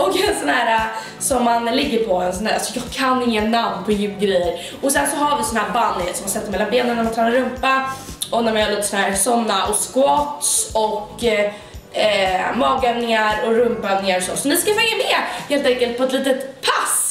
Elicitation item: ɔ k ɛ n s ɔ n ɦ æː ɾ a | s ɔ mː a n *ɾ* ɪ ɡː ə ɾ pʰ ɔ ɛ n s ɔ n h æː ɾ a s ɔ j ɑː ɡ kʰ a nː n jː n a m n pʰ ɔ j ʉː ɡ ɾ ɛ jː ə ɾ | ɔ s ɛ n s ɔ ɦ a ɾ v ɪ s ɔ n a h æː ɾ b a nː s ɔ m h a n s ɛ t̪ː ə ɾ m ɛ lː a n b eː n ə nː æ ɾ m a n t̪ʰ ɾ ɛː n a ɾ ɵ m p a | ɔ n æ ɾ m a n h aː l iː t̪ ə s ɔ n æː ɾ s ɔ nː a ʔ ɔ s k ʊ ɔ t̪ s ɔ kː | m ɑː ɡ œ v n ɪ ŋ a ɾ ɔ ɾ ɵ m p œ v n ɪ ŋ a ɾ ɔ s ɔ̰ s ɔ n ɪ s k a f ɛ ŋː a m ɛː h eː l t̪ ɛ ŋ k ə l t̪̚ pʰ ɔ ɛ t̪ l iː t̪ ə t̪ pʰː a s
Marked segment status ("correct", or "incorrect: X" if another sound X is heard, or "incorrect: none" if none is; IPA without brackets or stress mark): incorrect: l